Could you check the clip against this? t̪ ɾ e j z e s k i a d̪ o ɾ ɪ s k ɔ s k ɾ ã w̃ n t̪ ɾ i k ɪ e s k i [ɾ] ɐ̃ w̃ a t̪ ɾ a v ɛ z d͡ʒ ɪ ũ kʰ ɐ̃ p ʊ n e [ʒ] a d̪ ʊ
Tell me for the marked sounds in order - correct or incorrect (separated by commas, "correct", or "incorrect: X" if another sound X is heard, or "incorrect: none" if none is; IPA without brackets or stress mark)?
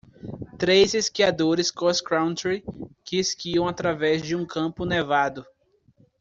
incorrect: none, incorrect: v